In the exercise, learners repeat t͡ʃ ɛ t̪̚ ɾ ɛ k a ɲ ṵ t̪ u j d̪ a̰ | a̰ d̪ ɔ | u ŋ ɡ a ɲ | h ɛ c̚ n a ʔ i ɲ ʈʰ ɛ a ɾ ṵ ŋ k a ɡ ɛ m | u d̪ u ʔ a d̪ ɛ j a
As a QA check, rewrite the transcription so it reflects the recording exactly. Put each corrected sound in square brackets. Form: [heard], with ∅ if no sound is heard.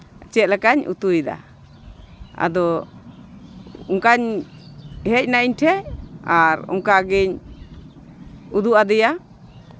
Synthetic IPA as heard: t͡ʃ ɛ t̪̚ [l] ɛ k a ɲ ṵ t̪ u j d̪ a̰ | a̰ d̪ ɔ | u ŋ [k] a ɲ | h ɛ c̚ n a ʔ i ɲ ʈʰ ɛ a ɾ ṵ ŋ k a ɡ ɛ [ɲ] | u d̪ u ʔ a d̪ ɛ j a